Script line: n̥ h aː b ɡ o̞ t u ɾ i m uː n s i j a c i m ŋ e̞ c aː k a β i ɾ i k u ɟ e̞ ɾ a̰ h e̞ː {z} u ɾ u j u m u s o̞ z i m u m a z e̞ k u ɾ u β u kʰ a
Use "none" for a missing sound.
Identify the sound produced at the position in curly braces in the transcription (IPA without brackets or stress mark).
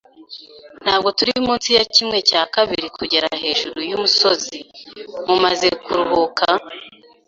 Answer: ʒ